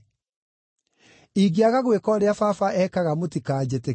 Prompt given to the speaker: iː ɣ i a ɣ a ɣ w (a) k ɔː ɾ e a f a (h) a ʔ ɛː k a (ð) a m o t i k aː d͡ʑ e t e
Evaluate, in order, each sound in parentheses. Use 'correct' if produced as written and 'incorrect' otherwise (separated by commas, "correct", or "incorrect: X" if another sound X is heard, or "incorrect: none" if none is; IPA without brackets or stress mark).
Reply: incorrect: e, incorrect: f, incorrect: ɣ